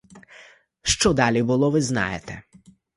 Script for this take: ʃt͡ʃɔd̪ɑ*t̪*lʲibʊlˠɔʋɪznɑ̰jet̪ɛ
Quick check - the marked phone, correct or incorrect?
incorrect